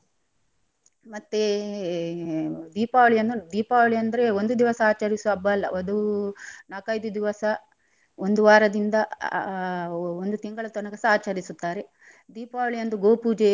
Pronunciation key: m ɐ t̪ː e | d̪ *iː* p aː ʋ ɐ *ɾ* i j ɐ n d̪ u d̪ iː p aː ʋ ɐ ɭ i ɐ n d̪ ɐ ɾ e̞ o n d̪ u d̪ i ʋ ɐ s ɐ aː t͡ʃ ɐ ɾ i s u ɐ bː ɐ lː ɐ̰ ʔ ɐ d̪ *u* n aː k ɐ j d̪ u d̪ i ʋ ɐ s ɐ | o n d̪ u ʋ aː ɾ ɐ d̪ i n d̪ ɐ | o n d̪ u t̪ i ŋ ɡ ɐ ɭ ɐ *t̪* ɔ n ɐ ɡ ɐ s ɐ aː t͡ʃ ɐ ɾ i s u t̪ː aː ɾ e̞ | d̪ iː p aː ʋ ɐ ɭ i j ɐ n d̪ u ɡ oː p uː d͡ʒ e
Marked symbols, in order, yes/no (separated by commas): yes, no, yes, yes